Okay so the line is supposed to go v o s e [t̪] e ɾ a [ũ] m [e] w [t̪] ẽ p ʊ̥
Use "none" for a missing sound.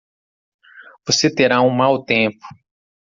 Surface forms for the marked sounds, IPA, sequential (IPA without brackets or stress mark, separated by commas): t̪, ũ, a, t̪